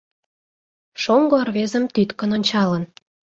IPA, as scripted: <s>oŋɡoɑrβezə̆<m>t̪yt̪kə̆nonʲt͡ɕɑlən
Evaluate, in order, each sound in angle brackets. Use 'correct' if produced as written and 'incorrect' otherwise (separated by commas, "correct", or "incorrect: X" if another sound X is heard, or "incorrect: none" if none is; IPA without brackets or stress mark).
incorrect: ʃ, correct